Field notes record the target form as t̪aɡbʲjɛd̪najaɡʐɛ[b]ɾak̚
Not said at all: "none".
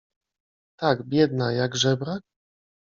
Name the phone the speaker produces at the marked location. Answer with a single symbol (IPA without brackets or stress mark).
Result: b